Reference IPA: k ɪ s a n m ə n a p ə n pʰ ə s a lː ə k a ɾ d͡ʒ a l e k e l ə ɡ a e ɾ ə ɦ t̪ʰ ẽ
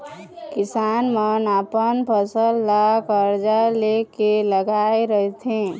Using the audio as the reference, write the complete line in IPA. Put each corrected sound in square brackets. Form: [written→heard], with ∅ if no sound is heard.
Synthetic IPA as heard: k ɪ s a n m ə n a p ə n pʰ ə s [a→ə] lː [ə→a] k [a→ə] ɾ d͡ʒ a l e k e l ə ɡ a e ɾ ə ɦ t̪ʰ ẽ